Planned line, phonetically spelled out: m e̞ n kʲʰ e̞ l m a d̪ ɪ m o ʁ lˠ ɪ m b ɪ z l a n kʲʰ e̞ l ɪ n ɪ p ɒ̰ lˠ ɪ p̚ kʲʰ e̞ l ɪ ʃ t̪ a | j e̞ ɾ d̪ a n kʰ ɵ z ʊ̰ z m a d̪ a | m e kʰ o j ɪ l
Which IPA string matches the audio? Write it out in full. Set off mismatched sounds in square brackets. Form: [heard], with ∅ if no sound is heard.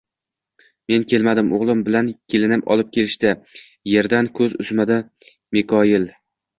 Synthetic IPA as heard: m e̞ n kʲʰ e̞ l m a d̪ ɪ m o ʁ lˠ ɪ m b ɪ [∅] l a n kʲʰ e̞ l ɪ n ɪ p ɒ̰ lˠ ɪ p̚ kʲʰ e̞ l ɪ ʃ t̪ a | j e̞ ɾ d̪ a n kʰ ɵ z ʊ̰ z m a d̪ a | m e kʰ [ɒ] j ɪ l